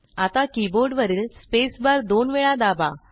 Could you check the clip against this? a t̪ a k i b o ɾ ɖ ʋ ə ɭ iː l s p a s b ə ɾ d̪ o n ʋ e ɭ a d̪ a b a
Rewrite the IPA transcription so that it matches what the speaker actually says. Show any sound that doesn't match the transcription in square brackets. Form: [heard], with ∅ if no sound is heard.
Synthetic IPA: a t̪ a k i b o ɾ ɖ ʋ ə [ɾ] iː l s p [e] s b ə ɾ d̪ o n ʋ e ɭ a d̪ a b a